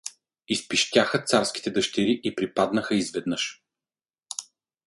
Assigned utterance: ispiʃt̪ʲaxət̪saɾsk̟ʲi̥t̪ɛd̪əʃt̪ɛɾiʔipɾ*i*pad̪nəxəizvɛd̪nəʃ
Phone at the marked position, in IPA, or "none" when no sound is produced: i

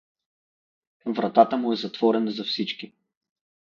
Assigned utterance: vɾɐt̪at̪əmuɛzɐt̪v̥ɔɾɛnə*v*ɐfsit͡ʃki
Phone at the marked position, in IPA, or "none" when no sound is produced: z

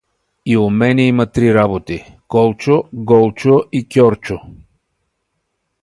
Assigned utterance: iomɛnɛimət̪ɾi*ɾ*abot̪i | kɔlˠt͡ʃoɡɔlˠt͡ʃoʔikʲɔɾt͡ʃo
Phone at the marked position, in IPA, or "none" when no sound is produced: ɾ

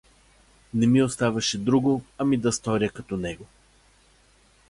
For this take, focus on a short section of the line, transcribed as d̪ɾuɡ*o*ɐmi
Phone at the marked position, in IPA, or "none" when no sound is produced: o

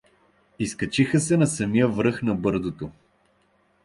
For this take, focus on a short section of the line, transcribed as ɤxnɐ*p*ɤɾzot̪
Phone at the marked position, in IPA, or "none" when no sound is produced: b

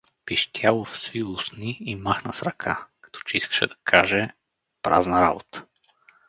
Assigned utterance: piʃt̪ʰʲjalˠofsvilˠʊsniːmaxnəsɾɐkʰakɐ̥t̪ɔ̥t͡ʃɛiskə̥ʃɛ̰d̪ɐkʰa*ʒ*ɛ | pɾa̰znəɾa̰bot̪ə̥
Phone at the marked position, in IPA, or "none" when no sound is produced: ʒ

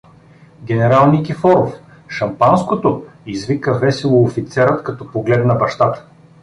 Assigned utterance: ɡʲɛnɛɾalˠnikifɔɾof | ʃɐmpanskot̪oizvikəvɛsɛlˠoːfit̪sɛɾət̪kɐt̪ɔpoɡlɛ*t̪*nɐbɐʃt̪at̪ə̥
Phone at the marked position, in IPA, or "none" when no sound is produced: d̪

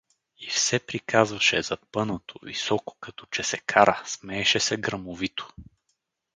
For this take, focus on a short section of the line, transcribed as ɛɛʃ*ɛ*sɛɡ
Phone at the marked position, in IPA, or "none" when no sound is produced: ɛ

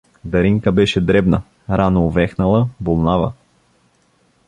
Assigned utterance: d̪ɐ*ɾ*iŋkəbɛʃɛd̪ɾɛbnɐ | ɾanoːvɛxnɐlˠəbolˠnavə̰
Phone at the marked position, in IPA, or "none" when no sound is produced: ɾ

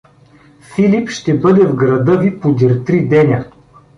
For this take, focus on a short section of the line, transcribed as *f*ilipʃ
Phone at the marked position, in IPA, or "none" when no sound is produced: f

